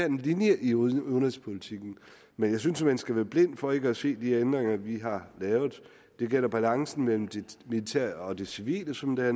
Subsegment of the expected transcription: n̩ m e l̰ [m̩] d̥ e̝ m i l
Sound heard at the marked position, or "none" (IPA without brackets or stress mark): m̩